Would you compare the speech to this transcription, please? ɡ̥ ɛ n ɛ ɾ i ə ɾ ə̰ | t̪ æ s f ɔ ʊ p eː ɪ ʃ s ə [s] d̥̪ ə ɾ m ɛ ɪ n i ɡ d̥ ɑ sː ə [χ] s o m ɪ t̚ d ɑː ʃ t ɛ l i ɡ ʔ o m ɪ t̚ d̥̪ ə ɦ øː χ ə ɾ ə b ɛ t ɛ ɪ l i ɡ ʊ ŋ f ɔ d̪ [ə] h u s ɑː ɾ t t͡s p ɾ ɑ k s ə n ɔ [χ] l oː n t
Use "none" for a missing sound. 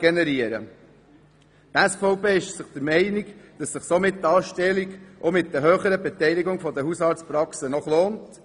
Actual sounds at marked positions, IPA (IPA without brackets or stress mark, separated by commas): χ, χ, ə, χ